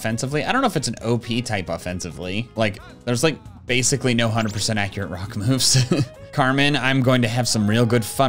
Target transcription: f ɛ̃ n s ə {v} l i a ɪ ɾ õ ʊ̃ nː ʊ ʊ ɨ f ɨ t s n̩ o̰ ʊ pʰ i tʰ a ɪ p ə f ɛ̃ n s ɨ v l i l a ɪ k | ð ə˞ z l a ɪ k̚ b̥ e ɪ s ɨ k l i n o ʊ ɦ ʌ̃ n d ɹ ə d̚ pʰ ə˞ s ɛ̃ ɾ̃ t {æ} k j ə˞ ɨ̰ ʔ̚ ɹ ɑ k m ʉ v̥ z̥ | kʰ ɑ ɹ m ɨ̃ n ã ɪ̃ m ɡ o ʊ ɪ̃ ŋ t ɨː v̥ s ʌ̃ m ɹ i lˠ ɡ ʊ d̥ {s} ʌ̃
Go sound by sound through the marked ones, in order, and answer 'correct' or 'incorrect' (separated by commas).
correct, correct, incorrect